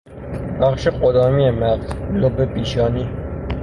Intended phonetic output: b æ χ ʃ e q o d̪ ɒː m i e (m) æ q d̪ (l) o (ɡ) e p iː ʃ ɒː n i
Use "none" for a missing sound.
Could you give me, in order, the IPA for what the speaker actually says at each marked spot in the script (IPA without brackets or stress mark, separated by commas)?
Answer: m, l, b